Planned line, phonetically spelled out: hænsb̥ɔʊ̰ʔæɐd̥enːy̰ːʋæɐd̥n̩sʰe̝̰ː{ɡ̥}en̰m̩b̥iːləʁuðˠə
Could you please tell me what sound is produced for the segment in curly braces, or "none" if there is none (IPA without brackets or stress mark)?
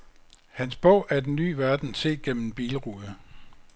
ɡ̥